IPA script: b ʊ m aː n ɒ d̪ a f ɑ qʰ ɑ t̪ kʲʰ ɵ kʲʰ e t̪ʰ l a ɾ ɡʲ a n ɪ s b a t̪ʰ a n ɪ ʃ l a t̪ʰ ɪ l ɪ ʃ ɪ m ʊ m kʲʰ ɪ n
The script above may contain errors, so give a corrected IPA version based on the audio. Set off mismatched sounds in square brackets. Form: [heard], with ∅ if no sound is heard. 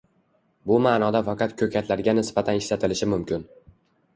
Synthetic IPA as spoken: b ʊ m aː n ɒ d̪ a f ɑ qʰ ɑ t̪ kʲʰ ɵ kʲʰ [a] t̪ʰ l a ɾ ɡʲ a n ɪ s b a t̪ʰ a n ɪ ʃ l a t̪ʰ ɪ l ɪ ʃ ɪ m ʊ m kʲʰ ɪ n